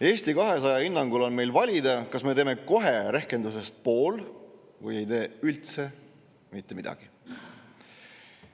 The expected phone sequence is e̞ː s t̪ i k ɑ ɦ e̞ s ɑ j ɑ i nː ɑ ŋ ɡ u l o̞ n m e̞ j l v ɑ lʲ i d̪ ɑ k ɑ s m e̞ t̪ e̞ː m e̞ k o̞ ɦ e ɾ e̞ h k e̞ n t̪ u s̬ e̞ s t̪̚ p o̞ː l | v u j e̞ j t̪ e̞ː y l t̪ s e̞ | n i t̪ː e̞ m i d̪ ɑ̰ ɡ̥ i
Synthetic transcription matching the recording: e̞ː s t̪ i k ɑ ɦ e̞ s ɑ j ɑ i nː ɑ ŋ ɡ u l o̞ n m e̞ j l v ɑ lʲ i d̪ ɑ k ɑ s m e̞ t̪ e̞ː m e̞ k o̞ ɦ e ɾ e̞ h k e̞ n d̪ u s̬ e̞ s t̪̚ p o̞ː l | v u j e̞ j t̪ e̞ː y l t̪ s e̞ | m i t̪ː e̞ m i d̪ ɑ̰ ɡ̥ i